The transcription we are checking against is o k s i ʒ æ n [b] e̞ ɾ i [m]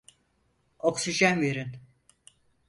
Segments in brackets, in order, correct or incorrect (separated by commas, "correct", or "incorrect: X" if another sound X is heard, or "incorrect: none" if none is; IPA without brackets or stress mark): incorrect: v, incorrect: n